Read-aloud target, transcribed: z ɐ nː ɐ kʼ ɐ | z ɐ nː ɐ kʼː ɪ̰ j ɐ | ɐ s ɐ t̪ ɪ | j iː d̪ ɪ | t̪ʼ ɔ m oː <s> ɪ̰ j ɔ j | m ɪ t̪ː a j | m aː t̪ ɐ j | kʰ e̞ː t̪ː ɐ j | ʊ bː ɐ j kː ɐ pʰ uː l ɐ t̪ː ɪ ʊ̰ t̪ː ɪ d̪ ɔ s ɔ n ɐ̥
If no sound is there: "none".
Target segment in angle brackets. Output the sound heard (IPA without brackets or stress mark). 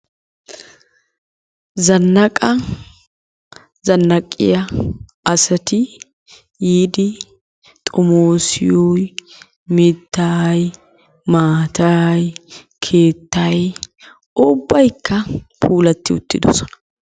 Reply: s